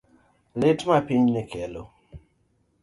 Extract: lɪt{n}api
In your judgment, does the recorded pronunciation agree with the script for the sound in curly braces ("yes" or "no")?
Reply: no